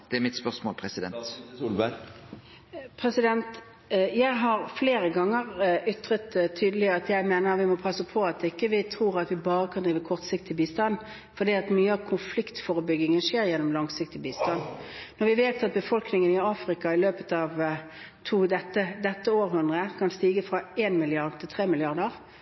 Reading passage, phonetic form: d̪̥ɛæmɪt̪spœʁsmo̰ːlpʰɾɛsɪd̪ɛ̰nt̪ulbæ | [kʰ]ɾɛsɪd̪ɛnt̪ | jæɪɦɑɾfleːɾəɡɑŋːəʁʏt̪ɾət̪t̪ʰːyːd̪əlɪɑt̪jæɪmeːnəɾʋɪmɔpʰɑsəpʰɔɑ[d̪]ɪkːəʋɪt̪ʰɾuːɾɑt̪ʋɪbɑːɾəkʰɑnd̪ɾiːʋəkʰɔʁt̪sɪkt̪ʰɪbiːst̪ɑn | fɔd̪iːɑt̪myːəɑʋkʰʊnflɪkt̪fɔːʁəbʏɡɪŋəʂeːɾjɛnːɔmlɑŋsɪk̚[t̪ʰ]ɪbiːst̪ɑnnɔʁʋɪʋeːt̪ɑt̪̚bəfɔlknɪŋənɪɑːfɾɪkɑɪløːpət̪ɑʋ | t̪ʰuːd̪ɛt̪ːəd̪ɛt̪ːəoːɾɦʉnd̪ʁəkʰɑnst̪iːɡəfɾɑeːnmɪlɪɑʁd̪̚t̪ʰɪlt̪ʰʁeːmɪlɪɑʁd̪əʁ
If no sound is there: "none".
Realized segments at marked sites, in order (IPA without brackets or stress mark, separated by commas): pʰ, t̪, t̪